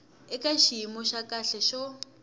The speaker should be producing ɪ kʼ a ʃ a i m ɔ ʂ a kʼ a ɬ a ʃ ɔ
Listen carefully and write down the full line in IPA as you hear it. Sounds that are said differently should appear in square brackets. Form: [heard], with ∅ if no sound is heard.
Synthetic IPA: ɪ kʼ a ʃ [i] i m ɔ [ʃ] a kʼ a ɬ [ɛ] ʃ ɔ